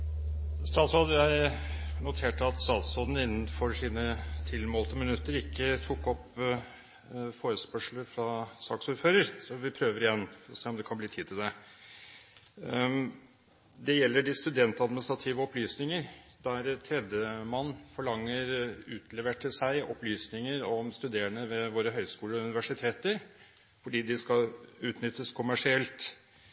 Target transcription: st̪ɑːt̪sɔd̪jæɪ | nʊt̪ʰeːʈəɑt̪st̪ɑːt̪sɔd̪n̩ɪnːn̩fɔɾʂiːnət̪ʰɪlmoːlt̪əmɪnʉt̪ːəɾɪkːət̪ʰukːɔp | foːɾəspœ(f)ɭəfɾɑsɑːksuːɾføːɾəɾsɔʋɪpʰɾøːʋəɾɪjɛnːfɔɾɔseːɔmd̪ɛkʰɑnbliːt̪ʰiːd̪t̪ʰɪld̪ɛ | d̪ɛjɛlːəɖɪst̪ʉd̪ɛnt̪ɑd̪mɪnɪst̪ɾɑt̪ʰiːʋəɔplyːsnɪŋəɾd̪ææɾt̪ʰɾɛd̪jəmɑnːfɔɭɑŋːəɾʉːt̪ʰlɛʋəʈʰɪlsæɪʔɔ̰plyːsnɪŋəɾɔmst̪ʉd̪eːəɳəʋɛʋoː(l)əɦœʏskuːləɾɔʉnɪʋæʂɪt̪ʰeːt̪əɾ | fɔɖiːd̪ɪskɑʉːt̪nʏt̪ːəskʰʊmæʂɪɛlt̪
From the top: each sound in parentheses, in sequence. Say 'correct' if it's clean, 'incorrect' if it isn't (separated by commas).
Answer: incorrect, incorrect